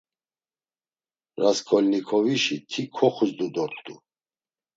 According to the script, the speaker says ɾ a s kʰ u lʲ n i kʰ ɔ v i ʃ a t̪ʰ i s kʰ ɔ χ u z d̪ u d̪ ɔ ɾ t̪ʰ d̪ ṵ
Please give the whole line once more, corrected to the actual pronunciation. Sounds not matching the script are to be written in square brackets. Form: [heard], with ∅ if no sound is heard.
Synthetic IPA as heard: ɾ a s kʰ [ɔ] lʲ n i kʰ ɔ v i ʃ [i] t̪ʰ i [∅] kʰ ɔ χ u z d̪ u d̪ ɔ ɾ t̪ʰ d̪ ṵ